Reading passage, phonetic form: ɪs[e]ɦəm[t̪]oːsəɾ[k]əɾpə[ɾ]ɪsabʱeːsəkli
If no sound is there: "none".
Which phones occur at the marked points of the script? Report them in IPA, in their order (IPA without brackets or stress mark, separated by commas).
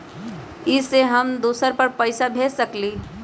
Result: e, d̪, p, none